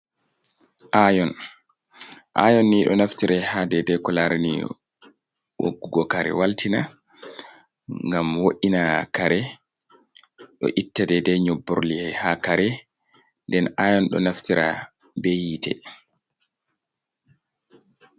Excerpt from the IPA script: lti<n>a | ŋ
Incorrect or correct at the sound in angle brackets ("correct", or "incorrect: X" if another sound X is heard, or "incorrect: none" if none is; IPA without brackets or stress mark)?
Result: correct